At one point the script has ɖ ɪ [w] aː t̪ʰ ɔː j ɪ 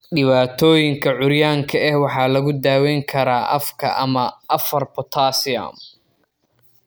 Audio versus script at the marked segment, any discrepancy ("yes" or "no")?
yes